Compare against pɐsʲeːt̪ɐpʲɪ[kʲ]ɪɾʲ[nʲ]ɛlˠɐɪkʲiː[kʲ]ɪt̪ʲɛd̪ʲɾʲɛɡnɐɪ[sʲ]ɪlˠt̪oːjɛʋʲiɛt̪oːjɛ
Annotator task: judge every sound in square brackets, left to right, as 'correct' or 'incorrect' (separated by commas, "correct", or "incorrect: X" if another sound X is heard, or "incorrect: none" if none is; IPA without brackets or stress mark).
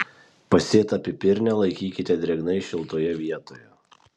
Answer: incorrect: pʲ, correct, correct, incorrect: ʃʲ